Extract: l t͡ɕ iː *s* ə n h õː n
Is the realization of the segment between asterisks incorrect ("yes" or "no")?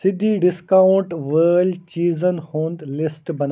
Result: yes